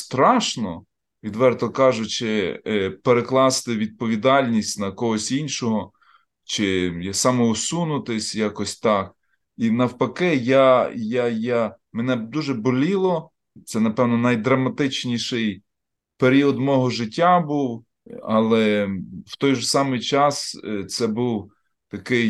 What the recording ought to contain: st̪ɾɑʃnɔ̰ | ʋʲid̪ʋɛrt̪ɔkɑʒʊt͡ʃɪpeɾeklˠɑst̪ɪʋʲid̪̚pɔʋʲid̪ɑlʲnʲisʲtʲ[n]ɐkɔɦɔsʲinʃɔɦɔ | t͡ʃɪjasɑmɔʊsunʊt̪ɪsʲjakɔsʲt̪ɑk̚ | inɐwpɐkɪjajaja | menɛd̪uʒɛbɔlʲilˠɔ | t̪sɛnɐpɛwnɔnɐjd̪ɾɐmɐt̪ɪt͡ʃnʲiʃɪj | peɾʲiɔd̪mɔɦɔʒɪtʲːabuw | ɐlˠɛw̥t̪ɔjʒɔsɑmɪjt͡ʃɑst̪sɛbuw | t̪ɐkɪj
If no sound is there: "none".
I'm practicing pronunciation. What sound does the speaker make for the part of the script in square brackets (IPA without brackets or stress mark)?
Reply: n